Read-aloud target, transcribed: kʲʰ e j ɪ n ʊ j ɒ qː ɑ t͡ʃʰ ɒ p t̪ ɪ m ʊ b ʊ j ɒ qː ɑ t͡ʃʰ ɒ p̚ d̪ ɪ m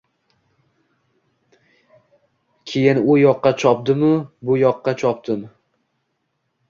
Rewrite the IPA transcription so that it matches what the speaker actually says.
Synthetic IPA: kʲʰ e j ɪ n ʊ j ɒ qː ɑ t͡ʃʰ ɒ p d̪ ɪ m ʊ b ʊ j ɒ qː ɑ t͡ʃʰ ɒ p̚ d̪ ɪ m